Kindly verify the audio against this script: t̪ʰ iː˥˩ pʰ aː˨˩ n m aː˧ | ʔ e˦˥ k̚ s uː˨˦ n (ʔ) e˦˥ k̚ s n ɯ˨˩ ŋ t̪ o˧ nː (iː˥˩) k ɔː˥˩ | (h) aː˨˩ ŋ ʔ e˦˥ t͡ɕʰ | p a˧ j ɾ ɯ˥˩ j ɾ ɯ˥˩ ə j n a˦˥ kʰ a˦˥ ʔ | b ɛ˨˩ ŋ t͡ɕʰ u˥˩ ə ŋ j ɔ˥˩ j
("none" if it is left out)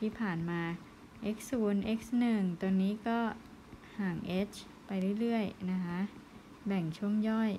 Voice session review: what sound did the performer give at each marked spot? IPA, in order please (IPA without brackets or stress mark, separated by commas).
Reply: ʔ, iː˦˥, h